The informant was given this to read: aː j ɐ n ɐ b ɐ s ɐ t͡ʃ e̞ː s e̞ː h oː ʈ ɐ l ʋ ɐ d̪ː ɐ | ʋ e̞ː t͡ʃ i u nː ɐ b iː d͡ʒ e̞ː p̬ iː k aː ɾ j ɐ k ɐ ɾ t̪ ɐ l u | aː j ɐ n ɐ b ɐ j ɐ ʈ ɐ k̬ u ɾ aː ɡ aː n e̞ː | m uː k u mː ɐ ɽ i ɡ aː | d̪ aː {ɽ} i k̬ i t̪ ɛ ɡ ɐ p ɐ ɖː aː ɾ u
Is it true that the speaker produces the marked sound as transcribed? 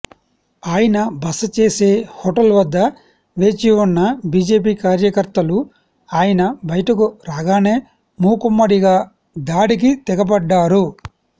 yes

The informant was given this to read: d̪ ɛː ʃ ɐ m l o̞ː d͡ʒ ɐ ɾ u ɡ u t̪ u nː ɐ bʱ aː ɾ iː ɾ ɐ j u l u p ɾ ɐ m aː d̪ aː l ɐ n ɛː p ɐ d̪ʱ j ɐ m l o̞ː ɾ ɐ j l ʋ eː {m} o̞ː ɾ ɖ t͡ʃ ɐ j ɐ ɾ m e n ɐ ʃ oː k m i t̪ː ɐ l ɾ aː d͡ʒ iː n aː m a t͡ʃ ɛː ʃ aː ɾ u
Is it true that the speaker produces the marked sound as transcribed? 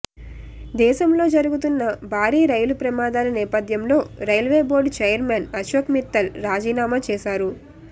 no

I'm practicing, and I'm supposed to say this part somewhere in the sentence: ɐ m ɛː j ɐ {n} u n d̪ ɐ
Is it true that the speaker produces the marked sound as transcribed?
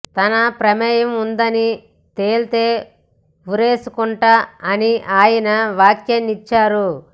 no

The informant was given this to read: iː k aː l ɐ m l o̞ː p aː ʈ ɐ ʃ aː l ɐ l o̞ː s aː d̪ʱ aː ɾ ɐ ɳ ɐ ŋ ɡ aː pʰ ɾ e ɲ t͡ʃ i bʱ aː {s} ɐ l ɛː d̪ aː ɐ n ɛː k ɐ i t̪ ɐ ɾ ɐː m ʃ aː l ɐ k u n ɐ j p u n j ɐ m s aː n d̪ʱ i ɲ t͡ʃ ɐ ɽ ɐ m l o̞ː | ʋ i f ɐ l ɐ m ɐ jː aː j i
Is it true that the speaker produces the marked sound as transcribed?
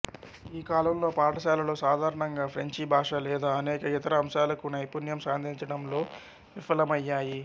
no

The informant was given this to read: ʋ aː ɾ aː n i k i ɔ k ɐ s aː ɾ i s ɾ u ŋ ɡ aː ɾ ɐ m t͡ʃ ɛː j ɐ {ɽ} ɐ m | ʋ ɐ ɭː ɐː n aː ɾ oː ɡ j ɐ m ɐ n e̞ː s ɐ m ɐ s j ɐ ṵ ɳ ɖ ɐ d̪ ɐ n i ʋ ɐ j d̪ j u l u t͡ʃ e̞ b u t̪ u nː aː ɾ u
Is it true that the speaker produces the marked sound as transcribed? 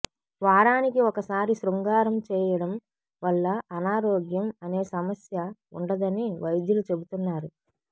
yes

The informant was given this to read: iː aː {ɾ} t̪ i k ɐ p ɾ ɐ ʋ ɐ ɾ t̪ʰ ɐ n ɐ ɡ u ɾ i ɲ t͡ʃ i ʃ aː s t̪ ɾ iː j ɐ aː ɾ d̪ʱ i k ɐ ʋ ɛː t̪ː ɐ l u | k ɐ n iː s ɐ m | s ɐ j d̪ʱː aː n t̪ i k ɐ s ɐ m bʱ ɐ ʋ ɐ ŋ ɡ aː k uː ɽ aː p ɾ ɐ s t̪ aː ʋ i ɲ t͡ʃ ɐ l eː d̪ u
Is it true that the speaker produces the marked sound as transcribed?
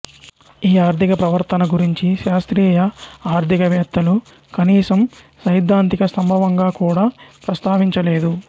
yes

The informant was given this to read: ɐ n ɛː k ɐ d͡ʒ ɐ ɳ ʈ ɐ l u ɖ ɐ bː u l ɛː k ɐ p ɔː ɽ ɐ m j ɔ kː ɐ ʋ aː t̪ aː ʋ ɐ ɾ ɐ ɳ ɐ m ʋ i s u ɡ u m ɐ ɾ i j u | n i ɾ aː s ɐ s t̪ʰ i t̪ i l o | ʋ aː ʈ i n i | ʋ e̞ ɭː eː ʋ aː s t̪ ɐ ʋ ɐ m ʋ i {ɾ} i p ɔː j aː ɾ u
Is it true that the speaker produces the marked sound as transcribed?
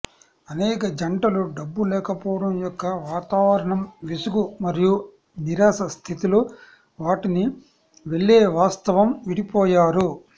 no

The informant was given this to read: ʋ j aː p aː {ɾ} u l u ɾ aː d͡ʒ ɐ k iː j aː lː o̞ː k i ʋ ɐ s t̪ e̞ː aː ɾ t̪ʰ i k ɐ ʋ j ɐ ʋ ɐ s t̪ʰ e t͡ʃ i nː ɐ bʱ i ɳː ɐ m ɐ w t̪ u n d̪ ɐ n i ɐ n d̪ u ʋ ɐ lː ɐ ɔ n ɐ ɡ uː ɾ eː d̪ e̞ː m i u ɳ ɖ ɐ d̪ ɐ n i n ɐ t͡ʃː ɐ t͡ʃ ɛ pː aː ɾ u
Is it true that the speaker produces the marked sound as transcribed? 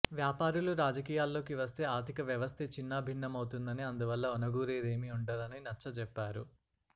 yes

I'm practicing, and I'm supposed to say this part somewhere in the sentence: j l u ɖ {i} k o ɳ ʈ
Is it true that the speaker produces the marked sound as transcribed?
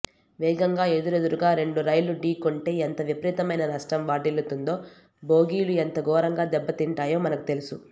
no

